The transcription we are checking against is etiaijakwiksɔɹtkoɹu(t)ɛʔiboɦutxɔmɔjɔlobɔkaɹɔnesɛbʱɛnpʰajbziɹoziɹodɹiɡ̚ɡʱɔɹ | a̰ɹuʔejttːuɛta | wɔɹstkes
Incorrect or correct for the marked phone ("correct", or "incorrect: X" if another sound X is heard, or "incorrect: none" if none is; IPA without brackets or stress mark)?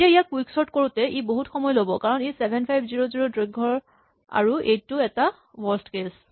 correct